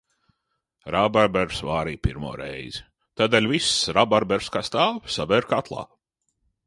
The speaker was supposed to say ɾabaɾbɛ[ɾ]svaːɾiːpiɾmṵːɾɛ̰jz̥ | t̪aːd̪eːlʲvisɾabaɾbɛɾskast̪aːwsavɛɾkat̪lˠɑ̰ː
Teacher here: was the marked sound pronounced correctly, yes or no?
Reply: yes